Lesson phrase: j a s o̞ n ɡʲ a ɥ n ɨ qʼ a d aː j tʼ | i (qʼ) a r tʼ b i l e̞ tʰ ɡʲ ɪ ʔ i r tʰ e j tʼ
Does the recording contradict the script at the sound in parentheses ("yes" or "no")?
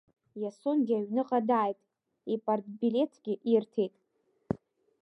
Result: yes